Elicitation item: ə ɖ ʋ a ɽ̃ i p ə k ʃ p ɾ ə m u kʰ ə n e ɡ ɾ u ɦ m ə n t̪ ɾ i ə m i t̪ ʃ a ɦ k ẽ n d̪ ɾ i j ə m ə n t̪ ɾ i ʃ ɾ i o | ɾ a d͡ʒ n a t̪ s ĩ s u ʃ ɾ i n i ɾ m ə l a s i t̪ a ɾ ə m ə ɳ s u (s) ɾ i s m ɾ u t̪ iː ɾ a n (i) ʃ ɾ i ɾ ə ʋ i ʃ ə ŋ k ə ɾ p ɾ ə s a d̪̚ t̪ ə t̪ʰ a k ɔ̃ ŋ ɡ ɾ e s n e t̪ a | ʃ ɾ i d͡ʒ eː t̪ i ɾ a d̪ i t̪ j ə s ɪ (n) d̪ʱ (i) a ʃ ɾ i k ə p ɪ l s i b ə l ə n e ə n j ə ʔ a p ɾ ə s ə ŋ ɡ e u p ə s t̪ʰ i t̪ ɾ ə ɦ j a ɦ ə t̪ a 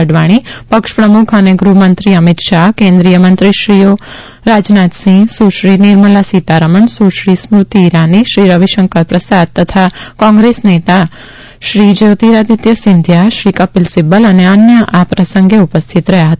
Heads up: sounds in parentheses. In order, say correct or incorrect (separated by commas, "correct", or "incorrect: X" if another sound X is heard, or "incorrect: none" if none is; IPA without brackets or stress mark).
incorrect: ʃ, correct, correct, incorrect: j